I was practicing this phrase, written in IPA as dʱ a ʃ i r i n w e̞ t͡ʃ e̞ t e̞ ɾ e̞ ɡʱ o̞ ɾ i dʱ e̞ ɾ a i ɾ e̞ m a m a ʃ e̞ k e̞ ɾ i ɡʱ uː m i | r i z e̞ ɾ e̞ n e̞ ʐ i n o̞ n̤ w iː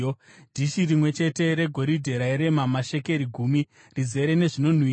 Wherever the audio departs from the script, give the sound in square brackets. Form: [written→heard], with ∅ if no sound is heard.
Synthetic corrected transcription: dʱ [a→i] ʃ i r i [n→m] w e̞ t͡ʃ e̞ t e̞ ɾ e̞ ɡʱ o̞ ɾ i dʱ e̞ ɾ a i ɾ e̞ m a m a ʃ e̞ k e̞ ɾ i ɡʱ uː m i | r i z e̞ ɾ e̞ n e̞ ʐ i n o̞ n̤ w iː